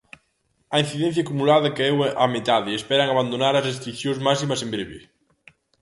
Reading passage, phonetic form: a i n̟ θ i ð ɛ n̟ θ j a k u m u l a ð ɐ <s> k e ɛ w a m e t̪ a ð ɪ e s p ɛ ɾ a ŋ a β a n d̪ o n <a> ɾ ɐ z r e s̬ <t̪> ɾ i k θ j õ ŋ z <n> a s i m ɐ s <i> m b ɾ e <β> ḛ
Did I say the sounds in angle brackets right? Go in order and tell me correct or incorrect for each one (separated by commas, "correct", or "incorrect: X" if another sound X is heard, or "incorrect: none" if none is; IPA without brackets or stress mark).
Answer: incorrect: none, correct, correct, incorrect: m, incorrect: e, correct